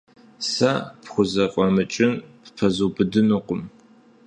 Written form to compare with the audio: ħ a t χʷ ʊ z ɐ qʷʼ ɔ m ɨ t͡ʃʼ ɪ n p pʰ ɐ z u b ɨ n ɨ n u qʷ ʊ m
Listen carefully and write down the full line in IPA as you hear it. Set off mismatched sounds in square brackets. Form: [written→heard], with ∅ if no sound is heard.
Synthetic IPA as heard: [ħ→s] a [t→p] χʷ ʊ z ɐ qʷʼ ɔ m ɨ t͡ʃʼ ɪ n p pʰ ɐ z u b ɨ [n→d] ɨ n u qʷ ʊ m